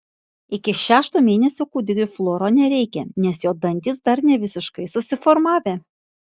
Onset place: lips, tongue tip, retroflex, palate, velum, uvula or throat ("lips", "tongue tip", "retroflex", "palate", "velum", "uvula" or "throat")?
velum